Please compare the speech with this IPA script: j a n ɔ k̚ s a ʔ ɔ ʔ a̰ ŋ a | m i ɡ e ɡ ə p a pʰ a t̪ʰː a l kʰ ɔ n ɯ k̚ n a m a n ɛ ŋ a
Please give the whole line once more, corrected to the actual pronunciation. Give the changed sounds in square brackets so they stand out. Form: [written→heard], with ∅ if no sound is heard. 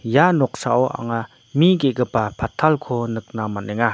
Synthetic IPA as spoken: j a n ɔ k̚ s a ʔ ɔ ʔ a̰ ŋ a | m i ɡ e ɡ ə p a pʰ a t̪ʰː a l kʰ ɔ n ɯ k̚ n a m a n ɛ ŋ a